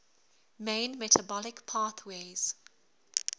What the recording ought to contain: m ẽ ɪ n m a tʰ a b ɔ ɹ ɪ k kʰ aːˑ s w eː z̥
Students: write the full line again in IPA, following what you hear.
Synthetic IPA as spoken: m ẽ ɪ n m ɛ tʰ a b ɔ l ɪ k pʰ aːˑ θ w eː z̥